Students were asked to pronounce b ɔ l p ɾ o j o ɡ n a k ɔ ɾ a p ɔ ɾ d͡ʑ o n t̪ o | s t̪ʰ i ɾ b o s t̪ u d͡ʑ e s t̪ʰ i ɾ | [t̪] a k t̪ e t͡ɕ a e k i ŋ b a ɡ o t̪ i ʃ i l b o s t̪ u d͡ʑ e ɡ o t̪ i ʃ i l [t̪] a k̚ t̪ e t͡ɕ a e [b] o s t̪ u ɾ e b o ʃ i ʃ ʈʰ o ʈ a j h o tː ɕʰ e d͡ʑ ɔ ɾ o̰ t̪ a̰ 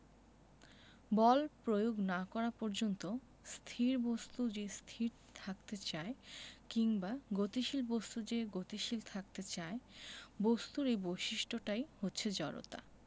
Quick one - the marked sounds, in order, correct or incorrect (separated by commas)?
incorrect, incorrect, correct